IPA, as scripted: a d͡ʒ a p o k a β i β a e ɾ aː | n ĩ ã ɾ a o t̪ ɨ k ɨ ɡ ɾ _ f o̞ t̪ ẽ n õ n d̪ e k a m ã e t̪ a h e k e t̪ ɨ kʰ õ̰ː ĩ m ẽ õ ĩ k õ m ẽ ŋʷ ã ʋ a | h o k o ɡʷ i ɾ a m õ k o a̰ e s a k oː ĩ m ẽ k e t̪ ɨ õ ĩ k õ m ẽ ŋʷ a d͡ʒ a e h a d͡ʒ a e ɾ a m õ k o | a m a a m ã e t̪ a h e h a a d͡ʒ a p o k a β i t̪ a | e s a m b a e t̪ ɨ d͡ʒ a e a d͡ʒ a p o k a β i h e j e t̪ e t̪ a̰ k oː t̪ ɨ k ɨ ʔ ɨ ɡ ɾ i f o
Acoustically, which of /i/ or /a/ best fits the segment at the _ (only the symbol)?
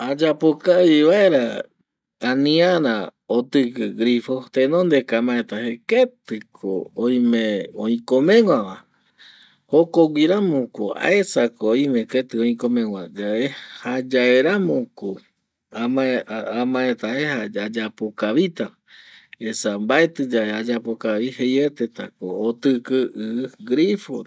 i